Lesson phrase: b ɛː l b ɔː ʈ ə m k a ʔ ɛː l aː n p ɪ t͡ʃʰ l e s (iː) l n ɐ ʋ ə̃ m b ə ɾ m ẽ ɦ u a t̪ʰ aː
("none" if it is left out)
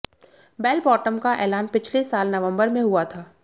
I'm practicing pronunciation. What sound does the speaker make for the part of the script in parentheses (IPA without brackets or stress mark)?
aː